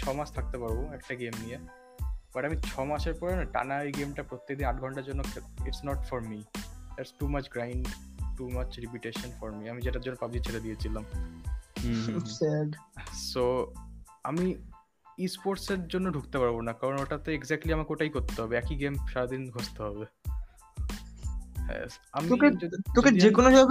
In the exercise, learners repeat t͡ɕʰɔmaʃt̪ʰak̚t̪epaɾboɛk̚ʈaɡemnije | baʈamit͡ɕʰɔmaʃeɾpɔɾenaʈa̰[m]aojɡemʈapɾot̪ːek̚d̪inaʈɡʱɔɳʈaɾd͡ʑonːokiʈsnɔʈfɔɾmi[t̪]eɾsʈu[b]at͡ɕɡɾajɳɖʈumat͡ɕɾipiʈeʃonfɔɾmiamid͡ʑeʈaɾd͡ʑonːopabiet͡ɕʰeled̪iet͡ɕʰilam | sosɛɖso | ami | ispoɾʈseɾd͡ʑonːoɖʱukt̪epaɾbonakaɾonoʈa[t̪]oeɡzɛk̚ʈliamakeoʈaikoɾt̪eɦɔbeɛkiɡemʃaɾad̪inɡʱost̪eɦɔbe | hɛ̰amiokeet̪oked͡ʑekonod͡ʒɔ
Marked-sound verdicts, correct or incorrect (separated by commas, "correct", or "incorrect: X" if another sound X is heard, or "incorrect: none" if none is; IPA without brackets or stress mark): incorrect: n, incorrect: d̪, incorrect: m, correct